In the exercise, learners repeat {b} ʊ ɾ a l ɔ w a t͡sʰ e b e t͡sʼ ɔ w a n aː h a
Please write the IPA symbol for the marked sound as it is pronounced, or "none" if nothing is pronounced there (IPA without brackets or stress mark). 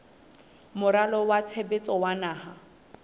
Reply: m